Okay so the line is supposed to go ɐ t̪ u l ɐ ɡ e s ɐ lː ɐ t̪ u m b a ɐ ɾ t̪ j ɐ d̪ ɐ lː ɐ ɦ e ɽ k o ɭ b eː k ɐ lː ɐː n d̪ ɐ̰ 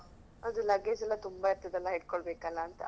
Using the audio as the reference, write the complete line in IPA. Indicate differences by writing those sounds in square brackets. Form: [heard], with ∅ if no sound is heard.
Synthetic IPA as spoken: ɐ [d̪] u l ɐ ɡ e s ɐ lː ɐ t̪ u m b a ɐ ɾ t̪ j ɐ d̪ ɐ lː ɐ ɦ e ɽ k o ɭ b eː k ɐ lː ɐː n [t̪] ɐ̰